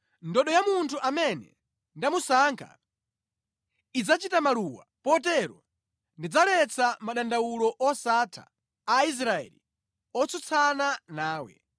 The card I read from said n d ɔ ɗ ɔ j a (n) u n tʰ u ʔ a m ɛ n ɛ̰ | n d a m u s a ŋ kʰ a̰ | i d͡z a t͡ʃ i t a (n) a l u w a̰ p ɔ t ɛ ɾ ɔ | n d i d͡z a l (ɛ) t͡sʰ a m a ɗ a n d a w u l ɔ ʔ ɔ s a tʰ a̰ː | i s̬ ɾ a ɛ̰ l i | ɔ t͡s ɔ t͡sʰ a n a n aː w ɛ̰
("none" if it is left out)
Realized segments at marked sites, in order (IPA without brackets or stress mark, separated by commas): m, m, ɛ